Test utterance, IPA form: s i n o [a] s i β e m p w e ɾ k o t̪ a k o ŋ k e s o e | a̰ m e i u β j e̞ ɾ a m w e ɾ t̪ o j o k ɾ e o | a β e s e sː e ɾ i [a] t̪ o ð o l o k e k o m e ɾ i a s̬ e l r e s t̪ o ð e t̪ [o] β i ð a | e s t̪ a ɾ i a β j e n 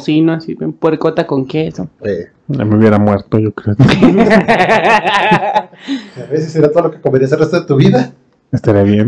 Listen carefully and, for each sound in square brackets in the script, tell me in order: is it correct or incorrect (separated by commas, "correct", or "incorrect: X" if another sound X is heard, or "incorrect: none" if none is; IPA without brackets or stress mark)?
correct, correct, incorrect: u